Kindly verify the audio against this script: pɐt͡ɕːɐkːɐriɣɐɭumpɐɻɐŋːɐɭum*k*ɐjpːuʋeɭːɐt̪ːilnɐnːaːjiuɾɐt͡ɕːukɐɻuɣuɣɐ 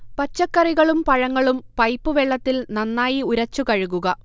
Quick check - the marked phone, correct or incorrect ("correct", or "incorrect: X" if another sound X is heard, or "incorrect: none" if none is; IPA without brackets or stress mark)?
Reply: incorrect: p